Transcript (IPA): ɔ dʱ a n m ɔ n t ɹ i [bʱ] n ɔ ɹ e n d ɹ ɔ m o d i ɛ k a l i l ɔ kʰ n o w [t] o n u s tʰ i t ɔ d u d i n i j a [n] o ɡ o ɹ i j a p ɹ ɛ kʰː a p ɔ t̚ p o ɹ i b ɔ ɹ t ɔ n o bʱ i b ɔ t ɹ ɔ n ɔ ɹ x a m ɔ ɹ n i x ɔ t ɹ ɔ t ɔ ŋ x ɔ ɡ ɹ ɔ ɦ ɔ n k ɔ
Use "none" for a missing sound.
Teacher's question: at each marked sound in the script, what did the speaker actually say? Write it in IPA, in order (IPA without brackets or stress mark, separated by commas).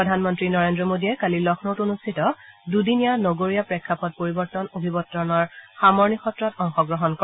none, t, n